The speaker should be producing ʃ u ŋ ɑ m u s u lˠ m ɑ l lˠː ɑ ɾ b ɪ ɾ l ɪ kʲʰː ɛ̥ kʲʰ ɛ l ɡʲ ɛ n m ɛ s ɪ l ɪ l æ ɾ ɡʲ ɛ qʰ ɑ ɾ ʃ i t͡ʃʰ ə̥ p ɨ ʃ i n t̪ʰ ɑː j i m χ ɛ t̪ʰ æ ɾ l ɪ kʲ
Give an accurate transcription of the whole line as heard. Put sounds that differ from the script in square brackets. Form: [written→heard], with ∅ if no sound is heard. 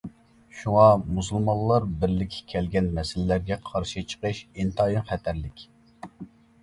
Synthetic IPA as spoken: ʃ u ŋ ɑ m u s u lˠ m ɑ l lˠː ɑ ɾ b ɪ ɾ l ɪ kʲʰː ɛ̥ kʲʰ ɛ l ɡʲ ɛ n m ɛ s ɪ l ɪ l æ ɾ ɡʲ ɛ qʰ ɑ ɾ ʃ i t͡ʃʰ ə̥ [p→q] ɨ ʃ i n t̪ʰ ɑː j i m χ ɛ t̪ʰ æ ɾ l ɪ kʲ